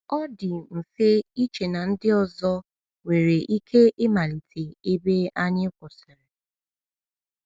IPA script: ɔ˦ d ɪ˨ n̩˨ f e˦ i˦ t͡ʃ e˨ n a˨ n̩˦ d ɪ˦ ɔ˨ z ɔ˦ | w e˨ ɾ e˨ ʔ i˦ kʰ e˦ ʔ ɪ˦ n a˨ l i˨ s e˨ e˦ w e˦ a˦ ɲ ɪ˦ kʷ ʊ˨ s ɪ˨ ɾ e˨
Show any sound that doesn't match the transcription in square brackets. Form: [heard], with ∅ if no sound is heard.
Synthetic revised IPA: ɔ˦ d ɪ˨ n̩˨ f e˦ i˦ t͡ʃ e˨ n a˨ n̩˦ d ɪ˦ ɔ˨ z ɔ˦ | w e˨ ɾ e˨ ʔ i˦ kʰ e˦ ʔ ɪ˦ [m] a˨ l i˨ [t] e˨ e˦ [b] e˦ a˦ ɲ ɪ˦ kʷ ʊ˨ s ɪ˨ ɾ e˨